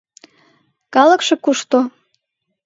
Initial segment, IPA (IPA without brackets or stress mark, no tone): k